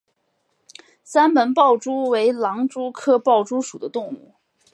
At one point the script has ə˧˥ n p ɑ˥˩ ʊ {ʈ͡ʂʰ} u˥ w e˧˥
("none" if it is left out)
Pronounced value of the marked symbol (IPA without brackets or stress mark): ʈ͡ʂ